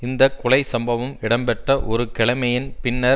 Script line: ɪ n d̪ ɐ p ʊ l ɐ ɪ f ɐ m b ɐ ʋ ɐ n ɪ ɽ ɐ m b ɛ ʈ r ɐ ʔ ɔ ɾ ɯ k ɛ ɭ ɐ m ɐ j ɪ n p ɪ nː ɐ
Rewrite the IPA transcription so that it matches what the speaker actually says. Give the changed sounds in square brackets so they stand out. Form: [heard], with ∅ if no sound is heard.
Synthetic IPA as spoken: ɪ n d̪ ɐ [k] ʊ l ɐ ɪ [s] ɐ m b ɐ ʋ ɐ [m] ɪ ɽ ɐ m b ɛ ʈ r ɐ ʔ ɔ ɾ ɯ k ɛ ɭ ɐ m ɐ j ɪ n p ɪ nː ɐ